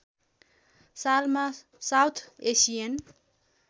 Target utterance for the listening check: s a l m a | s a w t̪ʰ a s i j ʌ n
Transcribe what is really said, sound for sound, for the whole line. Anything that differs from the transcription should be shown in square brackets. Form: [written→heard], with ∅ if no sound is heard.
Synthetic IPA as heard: s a l m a | s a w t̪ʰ [a→e] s i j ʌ n